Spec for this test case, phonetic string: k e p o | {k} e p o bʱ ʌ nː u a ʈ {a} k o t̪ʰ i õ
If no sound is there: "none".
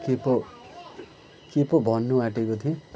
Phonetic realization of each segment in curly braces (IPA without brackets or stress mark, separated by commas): k, e